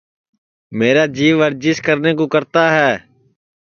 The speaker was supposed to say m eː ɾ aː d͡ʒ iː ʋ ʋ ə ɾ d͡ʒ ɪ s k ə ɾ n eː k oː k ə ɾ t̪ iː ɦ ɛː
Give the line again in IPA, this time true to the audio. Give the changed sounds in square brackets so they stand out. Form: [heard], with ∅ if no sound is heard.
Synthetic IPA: m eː ɾ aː d͡ʒ iː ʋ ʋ ə ɾ d͡ʒ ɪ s k ə ɾ n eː k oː k ə ɾ t̪ [aː] ɦ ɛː